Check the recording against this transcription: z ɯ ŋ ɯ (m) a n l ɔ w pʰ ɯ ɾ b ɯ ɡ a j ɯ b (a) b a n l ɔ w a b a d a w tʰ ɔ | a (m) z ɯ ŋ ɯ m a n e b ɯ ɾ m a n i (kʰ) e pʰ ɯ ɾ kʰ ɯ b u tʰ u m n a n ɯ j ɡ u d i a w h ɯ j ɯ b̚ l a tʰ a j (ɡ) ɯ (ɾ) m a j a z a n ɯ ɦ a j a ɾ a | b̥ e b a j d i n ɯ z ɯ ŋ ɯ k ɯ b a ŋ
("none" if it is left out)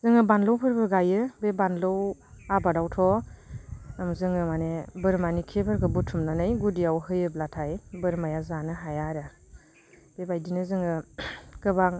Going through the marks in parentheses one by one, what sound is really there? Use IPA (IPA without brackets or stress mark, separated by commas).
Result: b, e, m, kʰ, b, ɾ